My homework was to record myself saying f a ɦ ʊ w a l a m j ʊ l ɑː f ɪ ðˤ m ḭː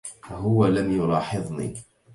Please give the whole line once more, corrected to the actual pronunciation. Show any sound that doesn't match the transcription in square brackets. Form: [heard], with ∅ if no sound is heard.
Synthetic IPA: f a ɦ ʊ w a l a m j ʊ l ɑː [ħ] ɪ ðˤ [n] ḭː